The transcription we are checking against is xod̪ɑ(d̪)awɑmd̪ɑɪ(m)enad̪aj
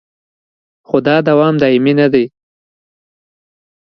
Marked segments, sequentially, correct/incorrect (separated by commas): correct, correct